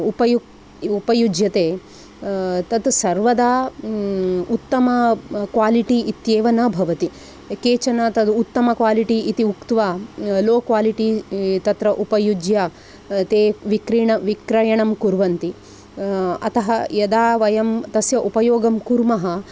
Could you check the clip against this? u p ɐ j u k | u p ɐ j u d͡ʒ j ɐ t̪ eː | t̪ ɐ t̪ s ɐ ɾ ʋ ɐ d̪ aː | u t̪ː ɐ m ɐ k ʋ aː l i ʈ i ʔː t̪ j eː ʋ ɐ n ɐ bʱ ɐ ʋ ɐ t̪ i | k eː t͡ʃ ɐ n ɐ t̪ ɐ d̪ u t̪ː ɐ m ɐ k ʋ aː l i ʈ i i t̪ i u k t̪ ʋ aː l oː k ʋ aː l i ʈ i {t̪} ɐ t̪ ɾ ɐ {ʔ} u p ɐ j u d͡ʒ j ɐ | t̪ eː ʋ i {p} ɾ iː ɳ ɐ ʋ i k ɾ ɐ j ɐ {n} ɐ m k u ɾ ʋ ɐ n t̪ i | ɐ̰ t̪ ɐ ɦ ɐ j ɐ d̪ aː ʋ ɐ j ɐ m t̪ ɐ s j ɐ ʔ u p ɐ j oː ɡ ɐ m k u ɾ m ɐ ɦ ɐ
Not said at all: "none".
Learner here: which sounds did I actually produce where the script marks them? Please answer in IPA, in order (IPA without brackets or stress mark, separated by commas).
t̪, ʔ, k, ɳ